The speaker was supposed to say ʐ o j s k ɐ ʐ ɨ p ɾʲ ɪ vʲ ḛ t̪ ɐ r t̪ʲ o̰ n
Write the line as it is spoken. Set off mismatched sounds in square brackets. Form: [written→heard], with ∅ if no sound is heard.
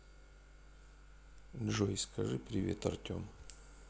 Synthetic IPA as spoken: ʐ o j s k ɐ ʐ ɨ p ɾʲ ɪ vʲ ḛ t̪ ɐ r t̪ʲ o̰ [n→m]